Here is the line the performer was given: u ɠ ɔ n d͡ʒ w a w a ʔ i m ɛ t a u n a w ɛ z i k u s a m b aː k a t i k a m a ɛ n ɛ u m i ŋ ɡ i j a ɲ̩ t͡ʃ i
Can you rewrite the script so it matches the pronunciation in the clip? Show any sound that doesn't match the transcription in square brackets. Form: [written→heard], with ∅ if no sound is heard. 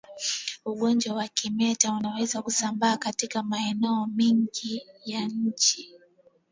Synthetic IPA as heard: u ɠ ɔ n d͡ʒ w a w a [ʔ→k] i m ɛ t a u n a w ɛ z [i→a] k u s a m b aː k a t i k a m a ɛ n ɛ [u→ɔ] m i ŋ ɡ i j a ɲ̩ t͡ʃ i